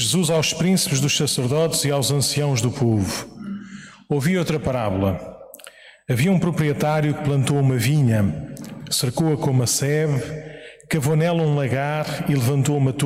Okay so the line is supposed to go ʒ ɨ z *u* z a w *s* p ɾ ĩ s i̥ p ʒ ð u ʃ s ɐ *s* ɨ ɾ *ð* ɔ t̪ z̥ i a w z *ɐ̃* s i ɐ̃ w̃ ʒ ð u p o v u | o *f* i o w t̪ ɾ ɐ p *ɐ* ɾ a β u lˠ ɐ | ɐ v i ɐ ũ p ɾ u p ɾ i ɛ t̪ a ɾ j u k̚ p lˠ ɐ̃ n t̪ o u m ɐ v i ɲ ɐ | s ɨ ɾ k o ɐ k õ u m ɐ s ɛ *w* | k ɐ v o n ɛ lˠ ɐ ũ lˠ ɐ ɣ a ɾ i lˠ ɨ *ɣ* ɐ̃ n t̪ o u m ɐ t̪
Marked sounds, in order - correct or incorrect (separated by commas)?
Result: correct, incorrect, correct, correct, correct, incorrect, correct, incorrect, incorrect